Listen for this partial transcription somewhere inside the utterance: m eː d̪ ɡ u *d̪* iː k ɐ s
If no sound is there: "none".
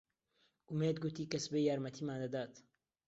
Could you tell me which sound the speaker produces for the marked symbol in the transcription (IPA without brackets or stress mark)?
t̪